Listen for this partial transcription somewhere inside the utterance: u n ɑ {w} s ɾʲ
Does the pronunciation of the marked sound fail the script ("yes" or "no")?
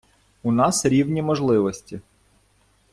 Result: yes